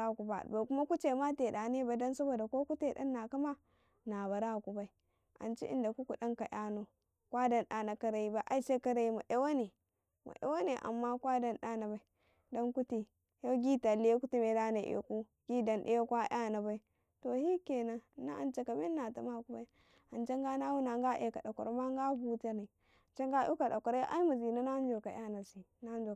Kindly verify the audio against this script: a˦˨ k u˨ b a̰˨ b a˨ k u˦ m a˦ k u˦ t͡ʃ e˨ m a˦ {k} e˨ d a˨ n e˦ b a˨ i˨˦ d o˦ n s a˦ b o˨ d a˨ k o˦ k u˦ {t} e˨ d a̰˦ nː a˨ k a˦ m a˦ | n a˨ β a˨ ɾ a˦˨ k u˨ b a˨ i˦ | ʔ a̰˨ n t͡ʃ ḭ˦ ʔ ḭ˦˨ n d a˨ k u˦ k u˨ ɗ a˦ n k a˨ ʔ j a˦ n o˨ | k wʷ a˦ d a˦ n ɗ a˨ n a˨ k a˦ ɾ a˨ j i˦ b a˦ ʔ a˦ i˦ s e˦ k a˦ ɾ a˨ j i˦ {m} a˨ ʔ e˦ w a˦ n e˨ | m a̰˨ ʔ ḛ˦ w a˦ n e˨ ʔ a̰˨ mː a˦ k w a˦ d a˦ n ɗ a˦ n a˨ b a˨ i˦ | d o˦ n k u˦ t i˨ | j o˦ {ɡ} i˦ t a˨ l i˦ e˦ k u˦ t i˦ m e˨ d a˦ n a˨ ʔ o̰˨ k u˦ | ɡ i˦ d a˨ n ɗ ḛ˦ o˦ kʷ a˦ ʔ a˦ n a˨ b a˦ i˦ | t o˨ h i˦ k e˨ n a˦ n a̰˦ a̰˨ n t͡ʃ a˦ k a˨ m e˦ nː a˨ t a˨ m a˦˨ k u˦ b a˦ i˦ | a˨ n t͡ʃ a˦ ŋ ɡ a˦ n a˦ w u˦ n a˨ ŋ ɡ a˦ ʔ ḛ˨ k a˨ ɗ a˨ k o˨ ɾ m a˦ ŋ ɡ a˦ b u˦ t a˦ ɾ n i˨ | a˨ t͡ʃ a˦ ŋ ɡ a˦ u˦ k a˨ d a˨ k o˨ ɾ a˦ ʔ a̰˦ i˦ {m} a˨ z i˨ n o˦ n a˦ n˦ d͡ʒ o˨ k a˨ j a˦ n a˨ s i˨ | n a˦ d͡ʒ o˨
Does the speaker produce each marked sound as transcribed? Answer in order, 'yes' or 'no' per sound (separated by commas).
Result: no, yes, yes, yes, yes